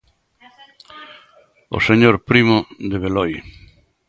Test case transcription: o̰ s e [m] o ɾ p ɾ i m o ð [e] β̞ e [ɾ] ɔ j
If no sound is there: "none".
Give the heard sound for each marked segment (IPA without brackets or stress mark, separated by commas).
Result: ɲ, e, l